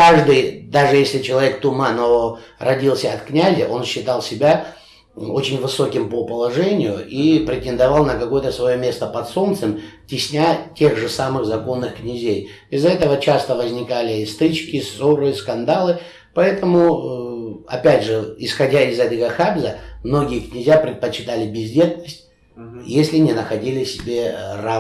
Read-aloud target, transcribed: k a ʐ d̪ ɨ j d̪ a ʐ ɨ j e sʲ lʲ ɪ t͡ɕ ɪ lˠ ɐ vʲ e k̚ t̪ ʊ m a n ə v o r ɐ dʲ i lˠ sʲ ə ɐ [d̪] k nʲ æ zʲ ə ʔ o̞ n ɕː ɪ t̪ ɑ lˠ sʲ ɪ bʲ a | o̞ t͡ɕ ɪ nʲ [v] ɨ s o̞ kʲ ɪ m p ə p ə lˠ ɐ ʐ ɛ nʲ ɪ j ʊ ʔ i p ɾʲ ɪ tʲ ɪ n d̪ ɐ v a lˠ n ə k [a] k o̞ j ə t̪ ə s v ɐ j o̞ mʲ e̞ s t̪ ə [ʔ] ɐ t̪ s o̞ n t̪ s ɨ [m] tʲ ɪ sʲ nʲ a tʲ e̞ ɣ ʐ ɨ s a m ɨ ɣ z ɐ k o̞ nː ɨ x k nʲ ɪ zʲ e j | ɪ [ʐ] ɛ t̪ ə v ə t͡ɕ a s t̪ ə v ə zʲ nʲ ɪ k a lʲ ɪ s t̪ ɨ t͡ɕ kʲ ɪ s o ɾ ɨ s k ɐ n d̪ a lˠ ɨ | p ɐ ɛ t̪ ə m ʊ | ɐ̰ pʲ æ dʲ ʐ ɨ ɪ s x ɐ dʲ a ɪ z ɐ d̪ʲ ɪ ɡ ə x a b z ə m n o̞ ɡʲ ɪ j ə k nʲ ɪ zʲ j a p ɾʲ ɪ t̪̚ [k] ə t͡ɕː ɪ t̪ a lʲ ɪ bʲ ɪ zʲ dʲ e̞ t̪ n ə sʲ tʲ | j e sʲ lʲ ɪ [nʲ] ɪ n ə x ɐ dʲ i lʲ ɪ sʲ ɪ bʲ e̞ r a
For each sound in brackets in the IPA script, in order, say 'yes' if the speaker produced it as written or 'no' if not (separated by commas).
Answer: no, yes, no, no, yes, no, no, yes